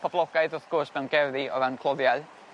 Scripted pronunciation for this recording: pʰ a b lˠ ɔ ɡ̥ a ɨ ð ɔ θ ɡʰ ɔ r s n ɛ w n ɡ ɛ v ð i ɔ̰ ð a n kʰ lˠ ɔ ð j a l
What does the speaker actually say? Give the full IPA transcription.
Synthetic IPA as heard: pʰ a b lˠ ɔ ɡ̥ a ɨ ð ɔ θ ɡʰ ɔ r s m ɛ w n ɡ ɛ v ð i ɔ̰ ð a n kʰ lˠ ɔ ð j a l